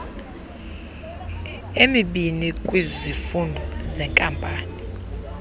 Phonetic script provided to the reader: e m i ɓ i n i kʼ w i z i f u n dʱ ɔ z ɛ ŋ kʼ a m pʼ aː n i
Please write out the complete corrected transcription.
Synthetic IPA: e m i ɓ i n i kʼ w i z i f u n dʱ ɔ z ɛ ŋ kʼ a m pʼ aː n i